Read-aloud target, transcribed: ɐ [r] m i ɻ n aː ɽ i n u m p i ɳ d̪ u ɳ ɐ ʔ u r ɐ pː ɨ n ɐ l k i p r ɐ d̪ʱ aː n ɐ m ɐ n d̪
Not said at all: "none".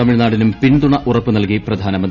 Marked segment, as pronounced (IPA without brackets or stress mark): none